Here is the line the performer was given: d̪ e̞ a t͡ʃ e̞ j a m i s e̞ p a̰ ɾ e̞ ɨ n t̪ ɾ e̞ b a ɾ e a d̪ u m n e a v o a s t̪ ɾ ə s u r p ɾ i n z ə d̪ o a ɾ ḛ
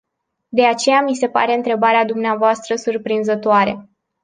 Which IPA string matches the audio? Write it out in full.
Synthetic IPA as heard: d̪ e̞ a t͡ʃ e̞ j a m i s e̞ p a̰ ɾ e̞ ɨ n t̪ ɾ e̞ b a ɾ e a d̪ u m n e a v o a s t̪ ɾ ə s u r p ɾ i n z ə t̪ o a ɾ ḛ